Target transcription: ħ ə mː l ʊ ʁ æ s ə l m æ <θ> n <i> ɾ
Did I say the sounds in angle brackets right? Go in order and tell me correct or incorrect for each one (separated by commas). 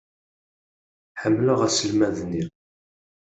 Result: incorrect, correct